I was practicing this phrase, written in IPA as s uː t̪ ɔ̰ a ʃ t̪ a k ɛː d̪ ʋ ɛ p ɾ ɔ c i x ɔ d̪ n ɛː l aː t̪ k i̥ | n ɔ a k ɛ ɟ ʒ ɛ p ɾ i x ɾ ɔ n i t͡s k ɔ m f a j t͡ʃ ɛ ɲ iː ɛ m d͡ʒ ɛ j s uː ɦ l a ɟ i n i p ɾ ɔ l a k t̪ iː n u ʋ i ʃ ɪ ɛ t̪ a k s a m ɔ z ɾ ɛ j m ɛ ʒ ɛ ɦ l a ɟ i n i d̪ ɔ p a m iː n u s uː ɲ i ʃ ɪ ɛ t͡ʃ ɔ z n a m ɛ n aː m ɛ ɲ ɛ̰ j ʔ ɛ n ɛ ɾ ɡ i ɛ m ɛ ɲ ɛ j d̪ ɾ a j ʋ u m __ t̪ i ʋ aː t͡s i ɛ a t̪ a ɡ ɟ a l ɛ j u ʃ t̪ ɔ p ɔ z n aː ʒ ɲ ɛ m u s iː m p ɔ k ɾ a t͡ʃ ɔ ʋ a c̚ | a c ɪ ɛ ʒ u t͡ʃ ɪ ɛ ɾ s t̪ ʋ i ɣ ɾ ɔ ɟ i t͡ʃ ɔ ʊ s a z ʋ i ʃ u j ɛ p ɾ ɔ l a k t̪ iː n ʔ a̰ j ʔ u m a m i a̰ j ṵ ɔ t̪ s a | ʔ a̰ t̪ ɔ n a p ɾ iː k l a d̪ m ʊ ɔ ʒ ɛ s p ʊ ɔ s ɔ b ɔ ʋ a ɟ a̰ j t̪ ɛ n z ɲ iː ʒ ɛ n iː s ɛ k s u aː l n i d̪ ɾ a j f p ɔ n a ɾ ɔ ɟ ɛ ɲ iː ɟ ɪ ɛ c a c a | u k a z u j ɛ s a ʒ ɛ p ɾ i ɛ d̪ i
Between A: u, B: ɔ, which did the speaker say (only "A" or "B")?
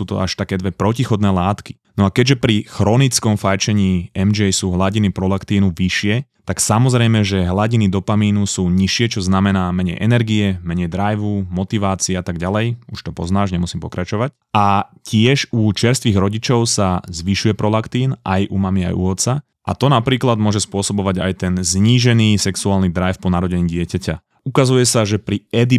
B